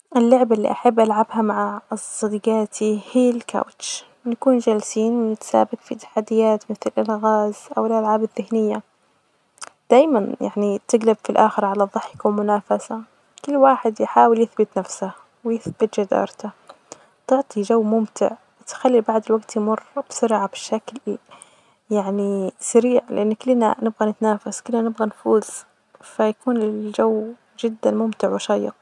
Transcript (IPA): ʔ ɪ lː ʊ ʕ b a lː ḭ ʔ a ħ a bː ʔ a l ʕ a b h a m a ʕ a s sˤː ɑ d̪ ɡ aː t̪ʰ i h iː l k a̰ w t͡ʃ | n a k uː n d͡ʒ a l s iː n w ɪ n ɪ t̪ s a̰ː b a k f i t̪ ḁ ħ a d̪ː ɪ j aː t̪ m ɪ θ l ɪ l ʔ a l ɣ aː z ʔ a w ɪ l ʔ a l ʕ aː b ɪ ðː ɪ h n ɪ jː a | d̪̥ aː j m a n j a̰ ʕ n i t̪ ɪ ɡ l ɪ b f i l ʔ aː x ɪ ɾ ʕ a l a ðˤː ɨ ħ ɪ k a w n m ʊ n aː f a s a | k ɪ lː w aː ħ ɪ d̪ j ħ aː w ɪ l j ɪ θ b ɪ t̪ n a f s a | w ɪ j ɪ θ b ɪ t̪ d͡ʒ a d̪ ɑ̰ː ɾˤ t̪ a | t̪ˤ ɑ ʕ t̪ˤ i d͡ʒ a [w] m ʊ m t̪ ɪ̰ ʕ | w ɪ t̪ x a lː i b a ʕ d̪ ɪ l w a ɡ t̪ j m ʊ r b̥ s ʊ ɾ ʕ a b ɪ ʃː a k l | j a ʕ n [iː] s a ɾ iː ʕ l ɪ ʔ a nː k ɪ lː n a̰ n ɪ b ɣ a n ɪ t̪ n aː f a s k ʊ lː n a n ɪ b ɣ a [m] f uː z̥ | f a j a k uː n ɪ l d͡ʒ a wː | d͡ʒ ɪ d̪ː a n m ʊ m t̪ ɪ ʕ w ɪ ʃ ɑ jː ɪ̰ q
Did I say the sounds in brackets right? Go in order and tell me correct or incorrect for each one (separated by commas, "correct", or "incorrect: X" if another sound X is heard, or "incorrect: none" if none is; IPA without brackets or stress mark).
incorrect: wː, incorrect: i, incorrect: n